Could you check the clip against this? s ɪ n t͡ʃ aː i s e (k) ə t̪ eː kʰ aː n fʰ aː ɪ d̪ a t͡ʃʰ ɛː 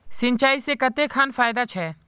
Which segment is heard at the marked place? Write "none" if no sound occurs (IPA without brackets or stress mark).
k